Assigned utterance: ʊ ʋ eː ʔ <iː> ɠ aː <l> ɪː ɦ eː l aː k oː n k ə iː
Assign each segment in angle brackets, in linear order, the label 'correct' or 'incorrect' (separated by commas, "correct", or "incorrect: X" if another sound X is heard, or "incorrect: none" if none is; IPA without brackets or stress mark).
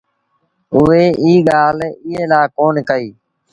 correct, correct